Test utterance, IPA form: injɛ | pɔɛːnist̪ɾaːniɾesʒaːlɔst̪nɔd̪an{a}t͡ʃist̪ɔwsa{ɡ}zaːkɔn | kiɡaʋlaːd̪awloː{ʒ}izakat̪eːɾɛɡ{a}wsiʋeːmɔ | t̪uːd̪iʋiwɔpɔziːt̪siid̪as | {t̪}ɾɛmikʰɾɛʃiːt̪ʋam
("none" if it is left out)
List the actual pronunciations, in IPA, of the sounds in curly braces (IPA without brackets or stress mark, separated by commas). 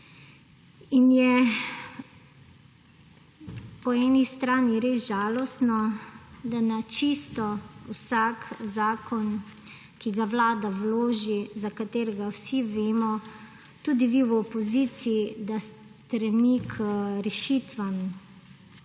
a, k, ʒ, a, t̪